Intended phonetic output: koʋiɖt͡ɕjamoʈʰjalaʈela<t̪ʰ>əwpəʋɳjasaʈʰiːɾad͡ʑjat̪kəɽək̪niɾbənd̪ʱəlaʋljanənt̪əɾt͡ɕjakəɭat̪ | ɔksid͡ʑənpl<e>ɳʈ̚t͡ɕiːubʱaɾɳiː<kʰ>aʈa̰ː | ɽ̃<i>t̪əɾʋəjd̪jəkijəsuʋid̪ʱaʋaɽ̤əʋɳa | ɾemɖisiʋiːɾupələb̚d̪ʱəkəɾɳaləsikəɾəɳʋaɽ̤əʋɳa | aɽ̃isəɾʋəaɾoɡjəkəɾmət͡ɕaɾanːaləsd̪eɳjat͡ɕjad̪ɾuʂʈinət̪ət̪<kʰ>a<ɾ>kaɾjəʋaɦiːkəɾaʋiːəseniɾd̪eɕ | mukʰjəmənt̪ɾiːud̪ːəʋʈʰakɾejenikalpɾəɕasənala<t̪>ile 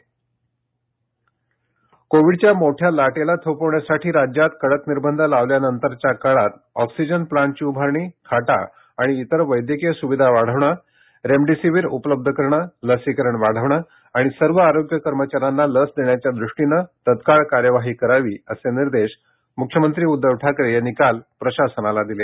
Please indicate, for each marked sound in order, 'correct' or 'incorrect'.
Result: correct, incorrect, correct, incorrect, incorrect, incorrect, incorrect

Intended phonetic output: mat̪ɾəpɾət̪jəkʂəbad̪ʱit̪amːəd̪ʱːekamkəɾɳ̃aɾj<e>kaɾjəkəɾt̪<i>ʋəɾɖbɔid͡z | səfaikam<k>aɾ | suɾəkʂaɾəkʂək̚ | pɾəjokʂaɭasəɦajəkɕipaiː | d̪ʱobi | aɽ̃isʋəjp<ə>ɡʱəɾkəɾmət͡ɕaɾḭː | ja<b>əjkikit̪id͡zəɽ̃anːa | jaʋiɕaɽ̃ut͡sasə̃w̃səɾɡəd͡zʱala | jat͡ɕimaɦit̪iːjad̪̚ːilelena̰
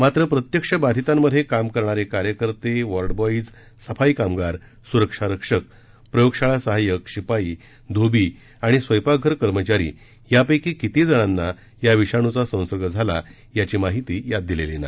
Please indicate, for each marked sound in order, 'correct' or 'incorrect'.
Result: correct, incorrect, incorrect, incorrect, incorrect

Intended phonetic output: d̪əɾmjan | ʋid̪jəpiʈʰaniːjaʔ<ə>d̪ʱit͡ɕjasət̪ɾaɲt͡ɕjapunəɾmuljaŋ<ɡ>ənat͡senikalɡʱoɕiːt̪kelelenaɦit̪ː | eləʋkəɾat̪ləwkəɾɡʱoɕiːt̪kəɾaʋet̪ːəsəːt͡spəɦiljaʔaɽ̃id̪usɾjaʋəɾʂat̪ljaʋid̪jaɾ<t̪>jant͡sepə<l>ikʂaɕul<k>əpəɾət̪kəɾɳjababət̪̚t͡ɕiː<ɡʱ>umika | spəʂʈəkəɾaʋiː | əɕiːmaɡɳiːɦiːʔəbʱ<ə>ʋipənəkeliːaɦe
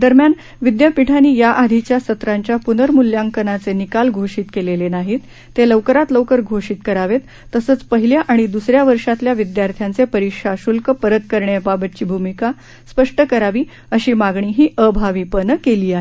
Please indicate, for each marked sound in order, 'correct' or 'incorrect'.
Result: incorrect, incorrect, incorrect, incorrect, correct, incorrect, incorrect

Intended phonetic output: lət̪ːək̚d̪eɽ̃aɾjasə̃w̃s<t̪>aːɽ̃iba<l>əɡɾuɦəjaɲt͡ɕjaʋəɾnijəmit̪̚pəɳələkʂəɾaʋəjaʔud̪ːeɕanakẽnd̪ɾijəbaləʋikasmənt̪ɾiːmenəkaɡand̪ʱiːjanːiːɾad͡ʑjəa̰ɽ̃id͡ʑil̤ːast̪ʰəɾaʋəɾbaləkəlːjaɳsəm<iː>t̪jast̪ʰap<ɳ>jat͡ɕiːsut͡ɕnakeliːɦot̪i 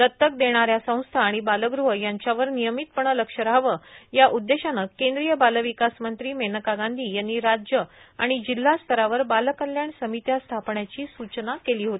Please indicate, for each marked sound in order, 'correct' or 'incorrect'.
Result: incorrect, correct, incorrect, correct

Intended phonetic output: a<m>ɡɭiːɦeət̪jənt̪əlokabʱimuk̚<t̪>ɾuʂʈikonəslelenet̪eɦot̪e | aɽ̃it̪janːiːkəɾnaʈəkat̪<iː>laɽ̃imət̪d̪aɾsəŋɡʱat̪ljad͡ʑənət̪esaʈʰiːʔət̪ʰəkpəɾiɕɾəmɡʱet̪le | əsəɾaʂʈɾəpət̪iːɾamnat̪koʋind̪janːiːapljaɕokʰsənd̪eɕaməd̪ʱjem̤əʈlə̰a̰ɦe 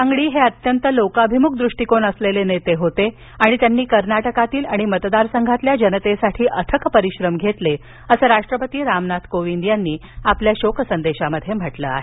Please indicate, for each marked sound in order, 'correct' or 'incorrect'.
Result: incorrect, incorrect, correct

